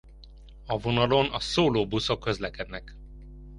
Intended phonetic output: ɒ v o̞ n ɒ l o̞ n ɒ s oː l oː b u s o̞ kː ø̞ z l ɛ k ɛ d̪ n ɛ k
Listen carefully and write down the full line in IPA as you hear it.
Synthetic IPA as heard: ɒ v o̞ n ɒ l o̞ n ɒ s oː l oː b u s o̞ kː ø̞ z l ɛ k ɛ d̪ n ɛ k